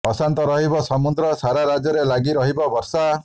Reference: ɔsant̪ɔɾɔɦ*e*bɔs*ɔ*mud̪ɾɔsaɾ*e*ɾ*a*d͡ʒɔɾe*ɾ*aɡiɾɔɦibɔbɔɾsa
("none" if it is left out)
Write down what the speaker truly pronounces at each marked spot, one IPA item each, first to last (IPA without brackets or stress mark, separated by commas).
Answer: i, ɔ, a, a, l